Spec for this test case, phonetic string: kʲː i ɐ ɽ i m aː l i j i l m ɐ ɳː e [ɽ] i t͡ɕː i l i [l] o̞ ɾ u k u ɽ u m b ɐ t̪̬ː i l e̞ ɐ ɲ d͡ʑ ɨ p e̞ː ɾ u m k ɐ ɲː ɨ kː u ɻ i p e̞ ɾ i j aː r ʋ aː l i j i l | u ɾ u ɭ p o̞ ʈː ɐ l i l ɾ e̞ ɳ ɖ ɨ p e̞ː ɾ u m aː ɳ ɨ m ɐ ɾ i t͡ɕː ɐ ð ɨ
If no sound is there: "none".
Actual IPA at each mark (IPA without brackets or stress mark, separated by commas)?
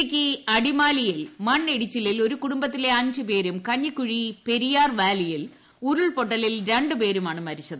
ɽ, l